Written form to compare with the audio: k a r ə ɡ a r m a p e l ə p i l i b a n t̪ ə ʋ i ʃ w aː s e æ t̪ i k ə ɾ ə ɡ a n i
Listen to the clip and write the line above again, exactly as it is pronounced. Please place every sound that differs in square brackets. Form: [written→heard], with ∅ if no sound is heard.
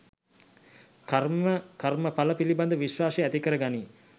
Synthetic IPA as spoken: k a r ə [ɡ→k] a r m [a→ə] p [e→a] l ə p i l i b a n [t̪→d̪] ə ʋ i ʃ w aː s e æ t̪ i k ə ɾ ə ɡ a n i